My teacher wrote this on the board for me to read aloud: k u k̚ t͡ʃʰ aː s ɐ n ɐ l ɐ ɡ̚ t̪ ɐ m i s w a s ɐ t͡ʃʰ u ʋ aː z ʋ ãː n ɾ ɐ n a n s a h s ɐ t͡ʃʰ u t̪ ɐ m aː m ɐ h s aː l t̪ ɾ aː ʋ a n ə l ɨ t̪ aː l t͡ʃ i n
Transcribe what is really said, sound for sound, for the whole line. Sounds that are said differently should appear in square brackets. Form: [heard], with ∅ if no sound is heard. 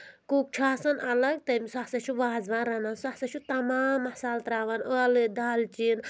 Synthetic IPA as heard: k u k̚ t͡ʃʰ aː s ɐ n ɐ l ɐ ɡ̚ t̪ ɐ m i s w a s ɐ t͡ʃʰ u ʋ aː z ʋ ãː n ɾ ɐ n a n s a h s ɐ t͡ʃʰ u t̪ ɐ m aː m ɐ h s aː l t̪ ɾ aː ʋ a n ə l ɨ [d̪] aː l t͡ʃ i n